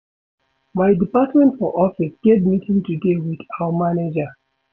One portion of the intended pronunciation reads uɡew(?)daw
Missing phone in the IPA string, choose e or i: i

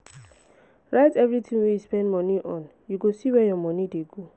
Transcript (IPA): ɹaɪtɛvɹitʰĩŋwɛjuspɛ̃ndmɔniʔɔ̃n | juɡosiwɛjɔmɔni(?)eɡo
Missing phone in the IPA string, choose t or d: d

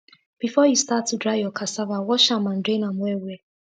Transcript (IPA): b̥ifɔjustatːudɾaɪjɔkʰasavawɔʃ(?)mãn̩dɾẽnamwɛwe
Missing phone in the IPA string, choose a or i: a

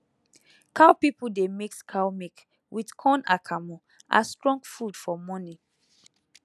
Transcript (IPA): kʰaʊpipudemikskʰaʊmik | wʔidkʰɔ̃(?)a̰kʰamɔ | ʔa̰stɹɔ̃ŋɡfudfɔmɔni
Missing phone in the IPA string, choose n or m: n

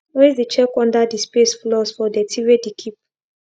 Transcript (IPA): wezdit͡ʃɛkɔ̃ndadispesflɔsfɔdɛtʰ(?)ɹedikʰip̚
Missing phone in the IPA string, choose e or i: i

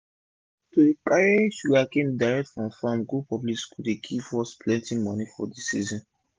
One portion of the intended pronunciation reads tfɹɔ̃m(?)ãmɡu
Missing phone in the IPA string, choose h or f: f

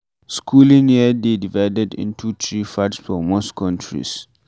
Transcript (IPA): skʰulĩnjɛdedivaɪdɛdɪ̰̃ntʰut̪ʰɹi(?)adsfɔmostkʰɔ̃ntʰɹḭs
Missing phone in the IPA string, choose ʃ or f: f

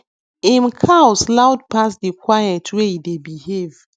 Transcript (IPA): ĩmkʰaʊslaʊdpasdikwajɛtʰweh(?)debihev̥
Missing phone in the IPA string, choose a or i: i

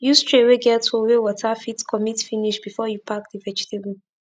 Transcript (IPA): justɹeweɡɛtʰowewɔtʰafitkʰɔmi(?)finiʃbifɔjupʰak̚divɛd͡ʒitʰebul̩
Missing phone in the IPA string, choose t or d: t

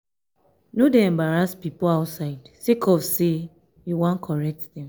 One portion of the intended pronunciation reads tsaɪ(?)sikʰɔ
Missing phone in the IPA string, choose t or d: d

